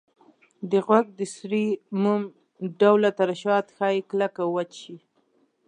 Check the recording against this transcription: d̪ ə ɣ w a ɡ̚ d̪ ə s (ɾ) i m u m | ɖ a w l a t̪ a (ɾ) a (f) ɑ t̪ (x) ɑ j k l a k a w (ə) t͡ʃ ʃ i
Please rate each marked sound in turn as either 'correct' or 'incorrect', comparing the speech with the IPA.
correct, correct, incorrect: ʃ, correct, incorrect: a

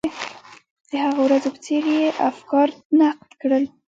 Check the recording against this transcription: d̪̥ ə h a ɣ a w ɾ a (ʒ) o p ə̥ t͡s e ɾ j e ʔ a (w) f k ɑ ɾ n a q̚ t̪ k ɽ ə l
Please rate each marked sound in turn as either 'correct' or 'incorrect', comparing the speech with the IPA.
incorrect: z, incorrect: none

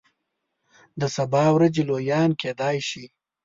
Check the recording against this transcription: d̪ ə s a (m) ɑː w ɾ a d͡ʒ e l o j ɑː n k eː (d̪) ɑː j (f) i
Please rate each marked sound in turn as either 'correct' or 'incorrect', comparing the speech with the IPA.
incorrect: b, correct, incorrect: ʃ

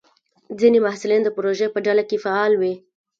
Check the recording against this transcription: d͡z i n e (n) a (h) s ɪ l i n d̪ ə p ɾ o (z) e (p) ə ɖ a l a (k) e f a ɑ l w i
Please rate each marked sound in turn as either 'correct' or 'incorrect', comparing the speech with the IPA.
incorrect: m, correct, incorrect: ʒ, correct, correct

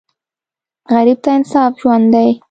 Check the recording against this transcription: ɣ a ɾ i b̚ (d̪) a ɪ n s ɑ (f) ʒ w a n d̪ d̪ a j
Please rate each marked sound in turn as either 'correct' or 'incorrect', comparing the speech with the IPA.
incorrect: t̪, correct

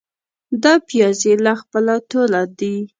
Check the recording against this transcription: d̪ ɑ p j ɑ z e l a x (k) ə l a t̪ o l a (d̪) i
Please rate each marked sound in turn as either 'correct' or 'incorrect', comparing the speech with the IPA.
incorrect: p, correct

